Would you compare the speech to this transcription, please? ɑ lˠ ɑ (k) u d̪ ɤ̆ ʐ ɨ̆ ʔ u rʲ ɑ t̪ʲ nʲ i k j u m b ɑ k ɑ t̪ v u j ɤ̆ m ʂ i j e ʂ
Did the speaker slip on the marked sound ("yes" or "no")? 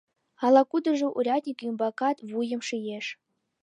no